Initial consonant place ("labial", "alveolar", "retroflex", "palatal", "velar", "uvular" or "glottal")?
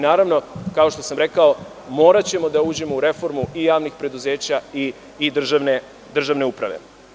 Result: alveolar